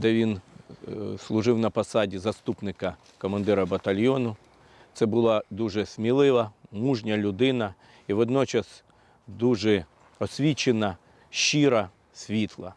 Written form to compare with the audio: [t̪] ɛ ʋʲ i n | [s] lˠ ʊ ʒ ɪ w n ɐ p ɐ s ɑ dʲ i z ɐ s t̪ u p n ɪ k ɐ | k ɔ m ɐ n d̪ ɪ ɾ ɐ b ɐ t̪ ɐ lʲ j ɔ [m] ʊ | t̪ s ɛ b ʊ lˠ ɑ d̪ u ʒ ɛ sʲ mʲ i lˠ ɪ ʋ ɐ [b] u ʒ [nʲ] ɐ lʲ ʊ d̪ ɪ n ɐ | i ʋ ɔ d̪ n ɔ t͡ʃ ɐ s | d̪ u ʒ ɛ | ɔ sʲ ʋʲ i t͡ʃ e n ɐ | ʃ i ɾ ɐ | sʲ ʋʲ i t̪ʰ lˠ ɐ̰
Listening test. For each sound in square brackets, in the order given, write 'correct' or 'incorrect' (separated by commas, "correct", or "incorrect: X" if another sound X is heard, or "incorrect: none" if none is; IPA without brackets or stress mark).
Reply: incorrect: d̪, correct, incorrect: n, incorrect: m, correct